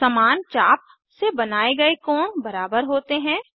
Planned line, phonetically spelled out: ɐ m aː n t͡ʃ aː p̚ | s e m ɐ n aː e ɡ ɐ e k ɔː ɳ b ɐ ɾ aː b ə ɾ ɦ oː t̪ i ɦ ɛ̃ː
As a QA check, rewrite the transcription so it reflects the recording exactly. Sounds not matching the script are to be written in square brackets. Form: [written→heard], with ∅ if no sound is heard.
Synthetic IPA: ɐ m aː n t͡ʃ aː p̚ | s e [m→b] ɐ n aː e ɡ ɐ e k ɔː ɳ b ɐ ɾ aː b ə ɾ ɦ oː t̪ [i→e] ɦ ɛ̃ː

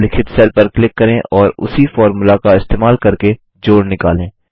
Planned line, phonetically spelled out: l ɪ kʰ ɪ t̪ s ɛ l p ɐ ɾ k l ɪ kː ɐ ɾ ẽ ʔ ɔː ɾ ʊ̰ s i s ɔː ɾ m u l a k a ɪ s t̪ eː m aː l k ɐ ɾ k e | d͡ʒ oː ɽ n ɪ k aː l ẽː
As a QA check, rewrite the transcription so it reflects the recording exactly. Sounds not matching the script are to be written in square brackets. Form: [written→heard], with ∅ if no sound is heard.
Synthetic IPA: l ɪ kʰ ɪ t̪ s ɛ l p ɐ ɾ k l ɪ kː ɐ ɾ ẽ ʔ ɔː ɾ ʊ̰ s i [s→f] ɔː ɾ m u l a k a ɪ s t̪ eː m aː l k ɐ ɾ k e | d͡ʒ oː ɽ n ɪ k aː l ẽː

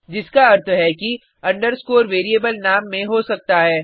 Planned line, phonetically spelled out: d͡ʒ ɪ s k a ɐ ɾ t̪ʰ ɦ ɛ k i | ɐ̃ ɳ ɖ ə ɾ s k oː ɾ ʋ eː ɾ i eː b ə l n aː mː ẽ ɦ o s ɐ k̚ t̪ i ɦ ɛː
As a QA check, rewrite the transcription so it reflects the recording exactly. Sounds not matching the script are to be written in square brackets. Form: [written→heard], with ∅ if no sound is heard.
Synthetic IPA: d͡ʒ ɪ s k a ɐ ɾ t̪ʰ ɦ ɛ k i | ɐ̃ ɳ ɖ ə ɾ s k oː ɾ ʋ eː ɾ i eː b ə l n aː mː ẽ ɦ o s ɐ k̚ t̪ [i→a] ɦ ɛː

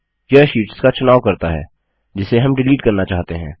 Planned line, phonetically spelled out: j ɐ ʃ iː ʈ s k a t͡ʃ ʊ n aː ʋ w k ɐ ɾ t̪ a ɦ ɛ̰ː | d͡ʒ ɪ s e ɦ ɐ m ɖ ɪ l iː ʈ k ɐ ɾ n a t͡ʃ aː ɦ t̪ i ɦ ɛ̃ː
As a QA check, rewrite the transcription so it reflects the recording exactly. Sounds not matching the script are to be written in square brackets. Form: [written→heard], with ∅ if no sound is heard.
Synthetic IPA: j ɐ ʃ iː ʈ s k a t͡ʃ ʊ n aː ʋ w k ɐ ɾ t̪ a ɦ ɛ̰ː | d͡ʒ ɪ s e ɦ ɐ m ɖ ɪ l iː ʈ k ɐ ɾ n a t͡ʃ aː ɦ t̪ [i→e] ɦ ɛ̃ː

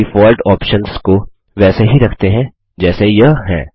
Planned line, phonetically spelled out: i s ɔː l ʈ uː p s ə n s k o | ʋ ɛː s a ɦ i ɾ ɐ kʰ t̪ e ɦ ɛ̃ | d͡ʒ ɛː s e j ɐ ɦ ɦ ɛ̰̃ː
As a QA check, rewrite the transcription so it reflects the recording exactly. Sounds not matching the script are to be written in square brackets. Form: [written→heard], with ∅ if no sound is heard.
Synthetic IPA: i [s→f] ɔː l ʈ [uː→ɔː] p [s→ʃ] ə n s k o | ʋ ɛː s [a→e] ɦ i ɾ ɐ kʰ t̪ e ɦ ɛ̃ | d͡ʒ ɛː s e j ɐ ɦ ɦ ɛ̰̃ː

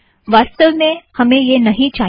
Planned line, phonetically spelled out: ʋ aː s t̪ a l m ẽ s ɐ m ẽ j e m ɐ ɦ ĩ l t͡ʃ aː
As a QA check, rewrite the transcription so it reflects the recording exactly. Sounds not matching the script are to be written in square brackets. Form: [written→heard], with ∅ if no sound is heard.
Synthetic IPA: ʋ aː s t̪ [a→ə] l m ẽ [s→h] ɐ m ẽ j e [m→n] ɐ ɦ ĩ [l→∅] t͡ʃ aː

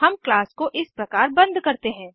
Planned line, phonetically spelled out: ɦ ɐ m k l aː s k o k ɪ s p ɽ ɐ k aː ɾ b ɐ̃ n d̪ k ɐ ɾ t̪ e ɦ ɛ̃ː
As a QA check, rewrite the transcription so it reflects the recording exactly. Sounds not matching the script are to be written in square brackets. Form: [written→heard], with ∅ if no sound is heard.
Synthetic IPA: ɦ ɐ m k l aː s k o [k→ʔ] ɪ s p [ɽ→ɾ] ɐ k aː ɾ b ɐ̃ n d̪ k ɐ ɾ t̪ e ɦ ɛ̃ː

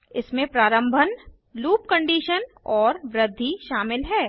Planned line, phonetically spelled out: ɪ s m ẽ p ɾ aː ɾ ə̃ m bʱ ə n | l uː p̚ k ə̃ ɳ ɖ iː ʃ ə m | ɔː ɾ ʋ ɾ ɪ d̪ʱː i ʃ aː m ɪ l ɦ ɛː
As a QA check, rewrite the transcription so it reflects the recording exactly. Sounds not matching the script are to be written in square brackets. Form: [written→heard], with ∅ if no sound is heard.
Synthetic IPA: ɪ s m ẽ p ɾ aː ɾ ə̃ m bʱ ə n | l uː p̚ k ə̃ ɳ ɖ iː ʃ ə [m→n] | ɔː ɾ ʋ ɾ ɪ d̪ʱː i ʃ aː m ɪ l ɦ ɛː

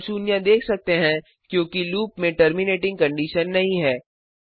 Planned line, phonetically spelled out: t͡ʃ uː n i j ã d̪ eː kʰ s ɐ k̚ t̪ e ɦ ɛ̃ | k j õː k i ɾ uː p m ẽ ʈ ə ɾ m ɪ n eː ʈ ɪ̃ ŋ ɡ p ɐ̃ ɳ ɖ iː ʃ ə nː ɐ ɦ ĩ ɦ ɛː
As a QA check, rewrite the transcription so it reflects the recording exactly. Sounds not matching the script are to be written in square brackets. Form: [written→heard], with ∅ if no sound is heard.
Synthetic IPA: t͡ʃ uː n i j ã d̪ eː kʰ s ɐ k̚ t̪ e ɦ ɛ̃ | k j õː k i [ɾ→l] uː p m ẽ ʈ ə ɾ m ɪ n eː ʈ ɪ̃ ŋ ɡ [p→k] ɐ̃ ɳ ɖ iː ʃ ə nː ɐ ɦ ĩ ɦ ɛː

